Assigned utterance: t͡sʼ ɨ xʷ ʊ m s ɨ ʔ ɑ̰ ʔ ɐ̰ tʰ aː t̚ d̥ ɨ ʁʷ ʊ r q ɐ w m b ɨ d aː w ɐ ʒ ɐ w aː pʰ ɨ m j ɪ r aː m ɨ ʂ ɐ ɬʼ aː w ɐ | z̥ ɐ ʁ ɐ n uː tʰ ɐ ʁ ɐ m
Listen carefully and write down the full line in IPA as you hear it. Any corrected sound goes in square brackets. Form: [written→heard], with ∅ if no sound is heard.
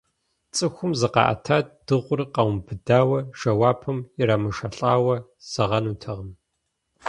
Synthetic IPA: t͡sʼ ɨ xʷ ʊ m [s→z] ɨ [ʔ→q] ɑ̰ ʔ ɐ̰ tʰ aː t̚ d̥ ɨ ʁʷ ʊ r q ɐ w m b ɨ d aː w ɐ ʒ ɐ w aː pʰ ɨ m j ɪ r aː m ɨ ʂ ɐ ɬʼ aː w ɐ | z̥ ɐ ʁ ɐ n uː tʰ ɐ ʁ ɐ m

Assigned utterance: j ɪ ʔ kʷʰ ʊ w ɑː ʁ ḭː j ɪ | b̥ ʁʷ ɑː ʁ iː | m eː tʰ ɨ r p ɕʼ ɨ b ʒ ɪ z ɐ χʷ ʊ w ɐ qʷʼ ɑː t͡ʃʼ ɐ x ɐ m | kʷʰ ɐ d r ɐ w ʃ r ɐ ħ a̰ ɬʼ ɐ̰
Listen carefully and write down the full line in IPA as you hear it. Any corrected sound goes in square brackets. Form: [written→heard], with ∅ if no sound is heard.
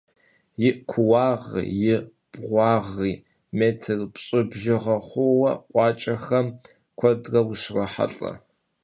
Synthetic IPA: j ɪ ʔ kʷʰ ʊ w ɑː ʁ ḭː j ɪ | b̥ ʁʷ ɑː ʁ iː | m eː tʰ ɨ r p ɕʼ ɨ b ʒ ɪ [z→ʁ] ɐ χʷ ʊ w ɐ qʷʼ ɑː t͡ʃʼ ɐ x ɐ m | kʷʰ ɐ d r ɐ w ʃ r ɐ ħ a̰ ɬʼ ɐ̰

